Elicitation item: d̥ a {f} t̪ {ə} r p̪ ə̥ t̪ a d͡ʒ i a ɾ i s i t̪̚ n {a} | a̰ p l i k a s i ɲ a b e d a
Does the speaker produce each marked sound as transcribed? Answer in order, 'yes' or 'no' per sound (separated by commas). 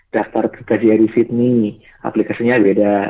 yes, no, no